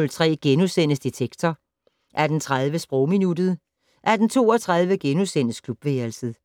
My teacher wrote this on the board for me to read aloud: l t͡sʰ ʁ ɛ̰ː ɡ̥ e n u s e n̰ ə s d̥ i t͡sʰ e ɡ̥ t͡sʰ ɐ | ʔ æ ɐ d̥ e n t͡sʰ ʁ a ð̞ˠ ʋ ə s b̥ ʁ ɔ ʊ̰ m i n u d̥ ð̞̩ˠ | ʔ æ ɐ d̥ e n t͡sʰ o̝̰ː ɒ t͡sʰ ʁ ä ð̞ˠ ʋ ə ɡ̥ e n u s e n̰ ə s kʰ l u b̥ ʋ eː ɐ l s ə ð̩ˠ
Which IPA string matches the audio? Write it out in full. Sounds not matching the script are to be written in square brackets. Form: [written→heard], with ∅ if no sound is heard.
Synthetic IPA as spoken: l t͡sʰ ʁ ɛ̰ː ɡ̥ e n u s e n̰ ə s d̥ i t͡sʰ e ɡ̥ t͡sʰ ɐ | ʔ æ ɐ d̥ e n t͡sʰ ʁ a ð̞ˠ ʋ ə s b̥ ʁ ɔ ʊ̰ m i n u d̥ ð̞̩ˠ | ʔ æ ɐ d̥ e n t͡sʰ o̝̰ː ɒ t͡sʰ ʁ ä ð̞ˠ ʋ ə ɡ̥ e n u s e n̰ ə s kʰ l u b̥ ʋ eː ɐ l s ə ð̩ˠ